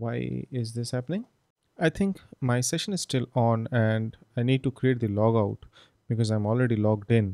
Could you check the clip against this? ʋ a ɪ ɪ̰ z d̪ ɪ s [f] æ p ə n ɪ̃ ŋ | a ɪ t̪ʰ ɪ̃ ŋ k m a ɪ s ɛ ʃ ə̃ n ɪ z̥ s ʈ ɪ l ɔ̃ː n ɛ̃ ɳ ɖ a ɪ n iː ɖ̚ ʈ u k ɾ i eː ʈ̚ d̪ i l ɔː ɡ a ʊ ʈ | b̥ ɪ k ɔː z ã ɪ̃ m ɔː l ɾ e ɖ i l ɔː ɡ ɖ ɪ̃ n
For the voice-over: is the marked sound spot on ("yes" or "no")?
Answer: no